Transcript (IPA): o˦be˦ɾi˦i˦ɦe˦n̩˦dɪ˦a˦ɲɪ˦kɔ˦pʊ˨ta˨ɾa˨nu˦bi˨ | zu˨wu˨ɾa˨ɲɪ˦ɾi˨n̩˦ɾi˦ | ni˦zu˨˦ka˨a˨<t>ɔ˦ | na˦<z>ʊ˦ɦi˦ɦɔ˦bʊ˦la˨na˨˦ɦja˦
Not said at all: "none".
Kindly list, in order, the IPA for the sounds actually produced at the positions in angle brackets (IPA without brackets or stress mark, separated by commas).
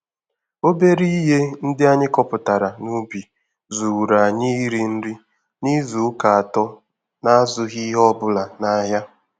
t, z